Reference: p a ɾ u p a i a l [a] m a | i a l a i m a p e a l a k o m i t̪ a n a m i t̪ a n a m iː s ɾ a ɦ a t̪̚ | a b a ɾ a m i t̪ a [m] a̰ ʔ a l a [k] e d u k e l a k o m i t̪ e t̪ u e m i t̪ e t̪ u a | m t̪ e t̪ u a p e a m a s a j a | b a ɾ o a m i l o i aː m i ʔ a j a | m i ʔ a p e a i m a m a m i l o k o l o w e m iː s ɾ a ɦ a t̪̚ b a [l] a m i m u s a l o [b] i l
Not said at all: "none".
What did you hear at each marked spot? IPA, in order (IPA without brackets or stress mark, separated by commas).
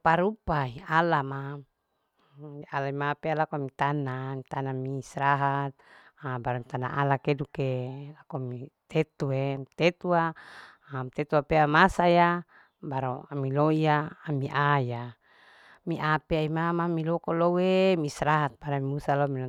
a, n, k, ɾ, m